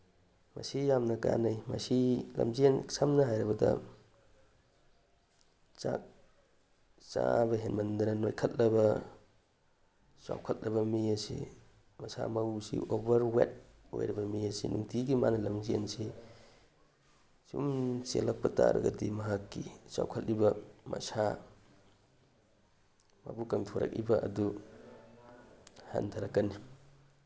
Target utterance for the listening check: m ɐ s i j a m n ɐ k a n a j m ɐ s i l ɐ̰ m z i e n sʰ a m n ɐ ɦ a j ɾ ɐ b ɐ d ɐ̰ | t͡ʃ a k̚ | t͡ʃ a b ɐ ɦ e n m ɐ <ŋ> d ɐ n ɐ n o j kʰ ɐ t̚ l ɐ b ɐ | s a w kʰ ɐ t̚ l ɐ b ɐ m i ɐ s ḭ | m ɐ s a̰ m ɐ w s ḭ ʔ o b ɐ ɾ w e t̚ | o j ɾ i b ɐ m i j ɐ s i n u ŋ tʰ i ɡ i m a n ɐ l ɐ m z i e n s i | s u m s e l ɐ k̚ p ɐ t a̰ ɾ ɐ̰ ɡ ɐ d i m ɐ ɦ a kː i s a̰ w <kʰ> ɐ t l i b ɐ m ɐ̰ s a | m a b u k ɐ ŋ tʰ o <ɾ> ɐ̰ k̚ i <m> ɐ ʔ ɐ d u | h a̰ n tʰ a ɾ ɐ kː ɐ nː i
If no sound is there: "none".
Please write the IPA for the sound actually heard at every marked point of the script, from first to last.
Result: n, kʰ, ɾ, b

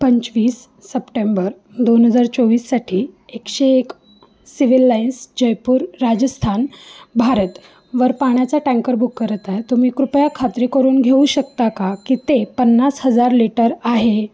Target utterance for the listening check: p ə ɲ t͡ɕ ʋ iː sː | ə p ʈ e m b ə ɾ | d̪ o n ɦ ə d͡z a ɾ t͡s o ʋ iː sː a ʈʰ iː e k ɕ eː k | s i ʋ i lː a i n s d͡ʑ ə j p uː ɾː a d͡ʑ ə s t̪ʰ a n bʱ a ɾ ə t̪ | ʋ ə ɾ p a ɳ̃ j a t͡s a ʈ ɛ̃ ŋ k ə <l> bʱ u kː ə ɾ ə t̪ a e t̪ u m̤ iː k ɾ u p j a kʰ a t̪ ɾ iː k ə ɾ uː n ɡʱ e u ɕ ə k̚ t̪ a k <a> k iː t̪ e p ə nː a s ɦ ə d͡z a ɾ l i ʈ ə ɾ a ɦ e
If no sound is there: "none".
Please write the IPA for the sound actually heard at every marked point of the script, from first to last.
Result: ɾ, a

